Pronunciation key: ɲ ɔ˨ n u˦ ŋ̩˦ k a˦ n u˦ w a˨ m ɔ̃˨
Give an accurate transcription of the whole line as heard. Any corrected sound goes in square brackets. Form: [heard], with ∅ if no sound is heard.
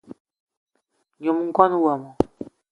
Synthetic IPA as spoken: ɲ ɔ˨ [m] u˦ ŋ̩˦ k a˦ n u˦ w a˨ m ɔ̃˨